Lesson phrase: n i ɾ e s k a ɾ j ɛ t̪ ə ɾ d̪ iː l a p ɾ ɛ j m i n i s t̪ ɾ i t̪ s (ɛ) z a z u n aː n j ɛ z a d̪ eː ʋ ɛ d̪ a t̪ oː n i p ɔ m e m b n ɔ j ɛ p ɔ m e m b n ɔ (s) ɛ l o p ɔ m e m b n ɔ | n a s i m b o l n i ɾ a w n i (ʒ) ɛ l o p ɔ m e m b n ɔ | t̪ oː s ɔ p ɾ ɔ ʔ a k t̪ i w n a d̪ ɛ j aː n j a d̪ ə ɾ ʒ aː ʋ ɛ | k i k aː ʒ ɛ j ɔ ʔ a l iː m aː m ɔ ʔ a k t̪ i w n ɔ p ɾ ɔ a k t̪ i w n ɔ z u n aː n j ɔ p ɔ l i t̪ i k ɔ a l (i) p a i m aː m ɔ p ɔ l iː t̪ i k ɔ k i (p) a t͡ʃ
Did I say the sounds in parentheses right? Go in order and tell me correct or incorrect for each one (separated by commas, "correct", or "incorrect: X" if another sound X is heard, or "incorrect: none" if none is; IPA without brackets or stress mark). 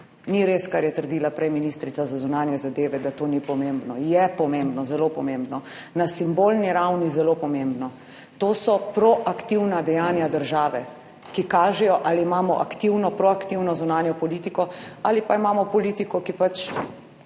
incorrect: a, incorrect: z, incorrect: z, correct, correct